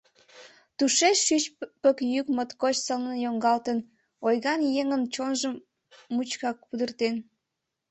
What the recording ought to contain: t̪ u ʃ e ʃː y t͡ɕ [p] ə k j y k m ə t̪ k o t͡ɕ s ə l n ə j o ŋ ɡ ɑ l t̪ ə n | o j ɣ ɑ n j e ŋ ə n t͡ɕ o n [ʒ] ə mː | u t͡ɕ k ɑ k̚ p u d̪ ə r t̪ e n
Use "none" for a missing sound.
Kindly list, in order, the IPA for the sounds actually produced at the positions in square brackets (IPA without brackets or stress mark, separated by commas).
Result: p, ʒ